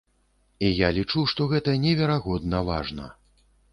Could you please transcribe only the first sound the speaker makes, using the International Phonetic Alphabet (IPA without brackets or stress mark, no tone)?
i